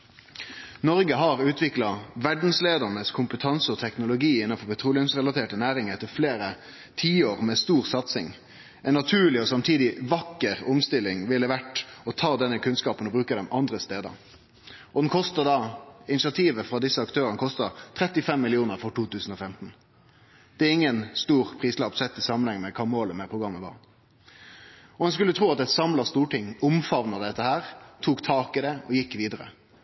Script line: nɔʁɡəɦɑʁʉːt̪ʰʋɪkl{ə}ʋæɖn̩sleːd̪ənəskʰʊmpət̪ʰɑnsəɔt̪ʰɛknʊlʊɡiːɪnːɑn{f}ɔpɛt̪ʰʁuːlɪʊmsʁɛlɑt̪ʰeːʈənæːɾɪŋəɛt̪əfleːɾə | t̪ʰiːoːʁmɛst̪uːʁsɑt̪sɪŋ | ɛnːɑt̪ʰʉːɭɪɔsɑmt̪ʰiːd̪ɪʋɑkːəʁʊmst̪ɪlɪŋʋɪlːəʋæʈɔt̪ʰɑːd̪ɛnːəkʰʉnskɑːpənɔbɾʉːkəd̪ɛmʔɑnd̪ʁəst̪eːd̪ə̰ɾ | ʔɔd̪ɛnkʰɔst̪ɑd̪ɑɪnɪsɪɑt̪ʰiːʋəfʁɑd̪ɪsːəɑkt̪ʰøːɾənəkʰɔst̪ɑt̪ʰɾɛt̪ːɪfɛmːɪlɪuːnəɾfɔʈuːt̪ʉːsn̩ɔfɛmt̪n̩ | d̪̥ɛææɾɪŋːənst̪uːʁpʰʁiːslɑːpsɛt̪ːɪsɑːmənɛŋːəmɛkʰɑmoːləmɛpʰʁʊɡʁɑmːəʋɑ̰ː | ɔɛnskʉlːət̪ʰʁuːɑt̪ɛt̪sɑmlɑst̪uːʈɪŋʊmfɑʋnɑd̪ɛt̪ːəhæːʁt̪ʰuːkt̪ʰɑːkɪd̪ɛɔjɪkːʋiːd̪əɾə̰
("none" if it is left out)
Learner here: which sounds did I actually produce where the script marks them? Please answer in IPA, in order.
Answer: ɑ, f

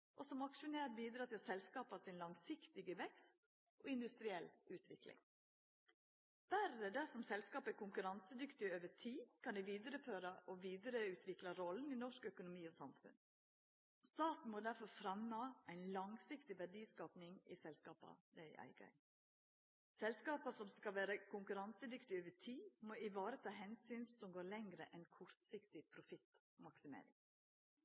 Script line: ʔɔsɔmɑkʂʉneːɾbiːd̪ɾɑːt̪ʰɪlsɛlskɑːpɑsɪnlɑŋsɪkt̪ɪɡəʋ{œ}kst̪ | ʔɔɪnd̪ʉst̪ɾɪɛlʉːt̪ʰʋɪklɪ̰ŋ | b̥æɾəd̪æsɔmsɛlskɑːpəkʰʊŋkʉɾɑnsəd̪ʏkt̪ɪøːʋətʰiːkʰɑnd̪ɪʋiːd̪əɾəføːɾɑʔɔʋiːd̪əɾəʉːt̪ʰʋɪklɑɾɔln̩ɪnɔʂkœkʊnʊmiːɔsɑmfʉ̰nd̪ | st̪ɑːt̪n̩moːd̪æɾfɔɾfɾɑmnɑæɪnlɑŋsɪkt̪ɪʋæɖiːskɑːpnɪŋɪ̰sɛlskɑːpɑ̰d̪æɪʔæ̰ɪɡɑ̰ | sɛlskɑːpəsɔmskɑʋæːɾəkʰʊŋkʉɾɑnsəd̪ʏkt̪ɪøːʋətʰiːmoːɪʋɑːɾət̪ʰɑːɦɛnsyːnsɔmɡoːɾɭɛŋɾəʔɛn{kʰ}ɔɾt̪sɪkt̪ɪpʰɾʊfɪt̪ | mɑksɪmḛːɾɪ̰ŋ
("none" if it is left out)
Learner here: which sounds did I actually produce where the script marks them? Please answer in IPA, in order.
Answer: ɛ, kʰ

